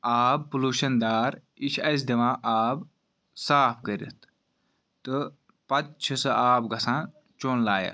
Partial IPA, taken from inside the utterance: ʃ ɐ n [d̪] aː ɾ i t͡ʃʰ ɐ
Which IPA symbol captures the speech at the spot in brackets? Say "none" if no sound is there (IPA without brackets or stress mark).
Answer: d̪